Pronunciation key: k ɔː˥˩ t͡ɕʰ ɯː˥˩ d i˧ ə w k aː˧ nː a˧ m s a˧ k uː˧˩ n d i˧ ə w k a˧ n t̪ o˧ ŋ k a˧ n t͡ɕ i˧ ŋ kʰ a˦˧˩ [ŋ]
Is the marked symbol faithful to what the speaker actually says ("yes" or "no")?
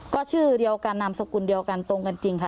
no